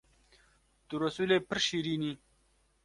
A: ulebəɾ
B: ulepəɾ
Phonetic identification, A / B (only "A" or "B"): B